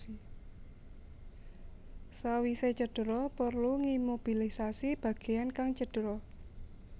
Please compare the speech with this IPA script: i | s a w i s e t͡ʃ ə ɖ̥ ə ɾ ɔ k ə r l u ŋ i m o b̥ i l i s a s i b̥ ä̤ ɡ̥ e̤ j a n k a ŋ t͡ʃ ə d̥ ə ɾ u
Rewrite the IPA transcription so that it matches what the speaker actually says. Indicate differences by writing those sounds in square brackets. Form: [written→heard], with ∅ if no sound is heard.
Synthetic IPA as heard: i | s a w i s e t͡ʃ ə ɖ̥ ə ɾ ɔ [k→p] ə r l u ŋ i m o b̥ i l i s a s i b̥ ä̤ ɡ̥ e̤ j a n k a ŋ t͡ʃ ə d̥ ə ɾ [u→ɔ]